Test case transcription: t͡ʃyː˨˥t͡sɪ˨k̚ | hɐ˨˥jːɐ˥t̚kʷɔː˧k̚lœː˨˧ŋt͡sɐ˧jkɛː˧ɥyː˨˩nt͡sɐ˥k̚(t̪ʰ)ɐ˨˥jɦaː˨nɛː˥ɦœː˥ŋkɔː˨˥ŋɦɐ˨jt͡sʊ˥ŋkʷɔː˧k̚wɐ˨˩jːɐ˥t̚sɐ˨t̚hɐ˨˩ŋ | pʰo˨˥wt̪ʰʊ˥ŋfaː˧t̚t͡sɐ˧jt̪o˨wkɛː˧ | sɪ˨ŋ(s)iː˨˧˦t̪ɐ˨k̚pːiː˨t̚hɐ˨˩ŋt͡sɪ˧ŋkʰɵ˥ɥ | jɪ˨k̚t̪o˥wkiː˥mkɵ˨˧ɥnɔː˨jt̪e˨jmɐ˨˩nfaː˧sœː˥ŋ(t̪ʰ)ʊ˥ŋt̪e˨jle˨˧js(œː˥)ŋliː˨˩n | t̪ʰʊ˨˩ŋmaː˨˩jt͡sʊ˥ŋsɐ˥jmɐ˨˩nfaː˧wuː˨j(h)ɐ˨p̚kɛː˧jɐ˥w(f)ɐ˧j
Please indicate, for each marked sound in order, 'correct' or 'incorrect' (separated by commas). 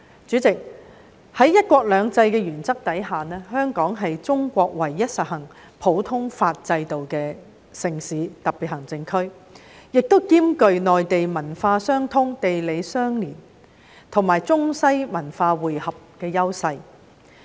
incorrect, correct, correct, correct, correct, incorrect